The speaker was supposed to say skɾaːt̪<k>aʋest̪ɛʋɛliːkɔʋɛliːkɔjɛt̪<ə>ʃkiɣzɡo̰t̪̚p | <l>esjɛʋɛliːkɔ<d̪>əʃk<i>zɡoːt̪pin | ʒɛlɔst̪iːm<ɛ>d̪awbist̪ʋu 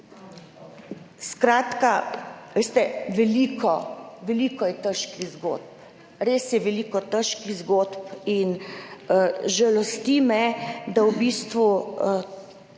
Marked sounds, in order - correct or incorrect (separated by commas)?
correct, correct, incorrect, incorrect, correct, correct